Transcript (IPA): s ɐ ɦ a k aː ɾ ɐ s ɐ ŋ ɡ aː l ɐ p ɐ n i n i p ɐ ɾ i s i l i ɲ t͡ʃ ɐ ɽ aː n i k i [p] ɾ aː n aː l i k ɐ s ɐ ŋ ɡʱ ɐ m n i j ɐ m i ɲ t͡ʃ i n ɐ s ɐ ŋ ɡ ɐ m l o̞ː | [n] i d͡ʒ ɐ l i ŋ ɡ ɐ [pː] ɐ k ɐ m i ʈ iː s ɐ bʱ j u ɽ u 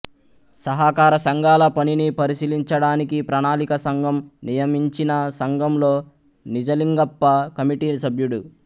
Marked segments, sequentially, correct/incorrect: correct, correct, correct

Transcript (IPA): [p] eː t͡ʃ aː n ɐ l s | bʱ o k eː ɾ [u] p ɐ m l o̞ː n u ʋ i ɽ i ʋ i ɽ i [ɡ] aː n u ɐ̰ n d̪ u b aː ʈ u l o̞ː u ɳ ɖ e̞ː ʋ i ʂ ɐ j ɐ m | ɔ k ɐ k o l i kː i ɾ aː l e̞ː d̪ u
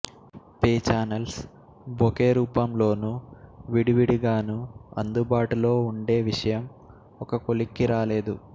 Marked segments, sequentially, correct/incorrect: correct, incorrect, correct

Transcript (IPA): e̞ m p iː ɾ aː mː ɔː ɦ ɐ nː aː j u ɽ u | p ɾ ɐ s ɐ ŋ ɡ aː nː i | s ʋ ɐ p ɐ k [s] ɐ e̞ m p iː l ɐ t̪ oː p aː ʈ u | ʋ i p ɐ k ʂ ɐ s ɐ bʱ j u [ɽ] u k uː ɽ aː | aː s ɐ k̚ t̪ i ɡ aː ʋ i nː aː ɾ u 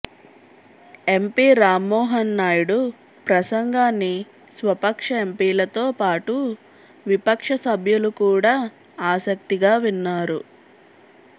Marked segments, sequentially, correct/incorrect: incorrect, incorrect

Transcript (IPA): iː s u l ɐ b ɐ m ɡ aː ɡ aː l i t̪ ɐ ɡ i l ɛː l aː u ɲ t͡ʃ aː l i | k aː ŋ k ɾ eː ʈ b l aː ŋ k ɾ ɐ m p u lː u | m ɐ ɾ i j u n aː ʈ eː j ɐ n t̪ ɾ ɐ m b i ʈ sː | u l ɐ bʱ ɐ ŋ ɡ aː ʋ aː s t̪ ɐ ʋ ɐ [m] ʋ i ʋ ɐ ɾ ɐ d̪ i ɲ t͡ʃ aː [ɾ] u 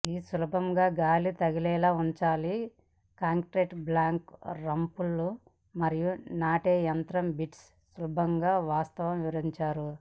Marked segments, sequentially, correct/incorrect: correct, correct

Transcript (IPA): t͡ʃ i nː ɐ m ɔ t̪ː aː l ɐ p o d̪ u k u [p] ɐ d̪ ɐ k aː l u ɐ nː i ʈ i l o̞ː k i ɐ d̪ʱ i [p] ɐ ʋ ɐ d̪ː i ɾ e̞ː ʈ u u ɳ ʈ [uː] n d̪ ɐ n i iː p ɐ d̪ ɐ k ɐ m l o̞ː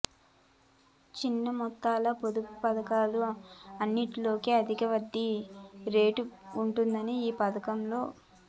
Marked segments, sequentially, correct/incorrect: correct, incorrect, incorrect

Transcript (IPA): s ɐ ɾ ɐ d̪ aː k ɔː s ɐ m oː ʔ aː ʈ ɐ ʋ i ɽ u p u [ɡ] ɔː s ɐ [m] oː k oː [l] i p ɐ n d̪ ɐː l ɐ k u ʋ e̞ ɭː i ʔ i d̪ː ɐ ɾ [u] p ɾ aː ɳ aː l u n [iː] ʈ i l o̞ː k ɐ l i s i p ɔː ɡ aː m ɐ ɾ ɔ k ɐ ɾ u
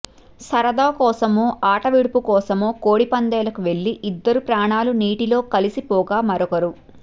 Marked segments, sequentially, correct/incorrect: incorrect, correct, incorrect, correct, correct

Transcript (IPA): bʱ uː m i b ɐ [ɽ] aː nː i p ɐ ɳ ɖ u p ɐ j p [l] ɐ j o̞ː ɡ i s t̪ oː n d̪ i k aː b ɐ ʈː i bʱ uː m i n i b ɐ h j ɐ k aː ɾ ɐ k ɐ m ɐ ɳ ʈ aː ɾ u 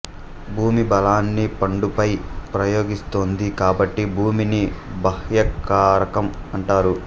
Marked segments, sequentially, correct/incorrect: incorrect, incorrect

